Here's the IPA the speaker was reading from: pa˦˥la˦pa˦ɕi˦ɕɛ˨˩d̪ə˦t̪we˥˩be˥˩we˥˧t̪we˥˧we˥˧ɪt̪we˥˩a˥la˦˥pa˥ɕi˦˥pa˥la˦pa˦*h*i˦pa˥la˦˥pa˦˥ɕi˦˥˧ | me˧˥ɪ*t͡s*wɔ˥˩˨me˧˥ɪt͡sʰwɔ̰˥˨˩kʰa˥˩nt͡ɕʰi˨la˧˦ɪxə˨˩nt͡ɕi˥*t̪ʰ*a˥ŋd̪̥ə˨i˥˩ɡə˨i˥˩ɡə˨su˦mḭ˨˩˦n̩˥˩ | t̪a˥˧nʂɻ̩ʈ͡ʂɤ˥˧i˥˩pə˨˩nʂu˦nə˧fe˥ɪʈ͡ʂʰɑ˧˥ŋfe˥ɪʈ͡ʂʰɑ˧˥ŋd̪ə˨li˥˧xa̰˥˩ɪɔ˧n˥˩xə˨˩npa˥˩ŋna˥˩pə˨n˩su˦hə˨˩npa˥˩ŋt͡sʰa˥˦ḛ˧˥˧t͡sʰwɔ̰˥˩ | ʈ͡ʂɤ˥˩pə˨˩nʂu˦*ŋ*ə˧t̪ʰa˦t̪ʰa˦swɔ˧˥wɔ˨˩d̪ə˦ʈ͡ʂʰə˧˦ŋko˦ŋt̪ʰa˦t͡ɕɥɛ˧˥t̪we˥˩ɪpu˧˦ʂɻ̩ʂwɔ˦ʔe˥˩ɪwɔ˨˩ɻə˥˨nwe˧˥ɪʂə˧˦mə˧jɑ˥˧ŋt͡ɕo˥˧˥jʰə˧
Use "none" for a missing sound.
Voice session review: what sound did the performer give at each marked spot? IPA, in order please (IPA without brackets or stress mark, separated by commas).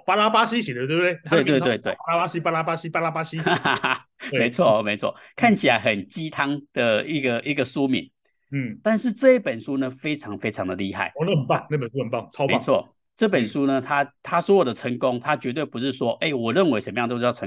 ɕ, t͡sʰ, t̪ʰ, n